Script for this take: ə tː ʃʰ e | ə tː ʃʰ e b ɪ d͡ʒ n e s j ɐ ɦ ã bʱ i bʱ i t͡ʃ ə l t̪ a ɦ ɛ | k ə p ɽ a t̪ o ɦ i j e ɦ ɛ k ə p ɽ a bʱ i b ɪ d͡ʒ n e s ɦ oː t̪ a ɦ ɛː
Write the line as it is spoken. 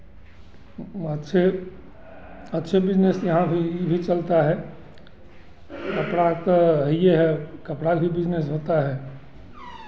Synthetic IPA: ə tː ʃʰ e | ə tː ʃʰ e b ɪ d͡ʒ n e s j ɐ ɦ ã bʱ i bʱ i t͡ʃ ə l t̪ a ɦ ɛ | k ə p ɽ a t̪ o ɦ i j e ɦ ɛ k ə p ɽ a bʱ i b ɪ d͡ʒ n e s ɦ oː t̪ a ɦ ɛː